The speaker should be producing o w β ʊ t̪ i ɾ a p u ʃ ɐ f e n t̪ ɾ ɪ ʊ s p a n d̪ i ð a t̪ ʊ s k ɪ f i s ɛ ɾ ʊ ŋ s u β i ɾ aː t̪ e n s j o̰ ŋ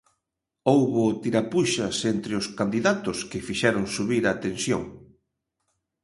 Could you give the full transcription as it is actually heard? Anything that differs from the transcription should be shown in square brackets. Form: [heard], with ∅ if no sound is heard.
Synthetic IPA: o w β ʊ t̪ i ɾ a p u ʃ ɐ [s] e n t̪ ɾ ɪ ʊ s [k] a n d̪ i ð a t̪ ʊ s k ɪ f i [ʃ] ɛ ɾ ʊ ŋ s u β i ɾ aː t̪ e n s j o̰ ŋ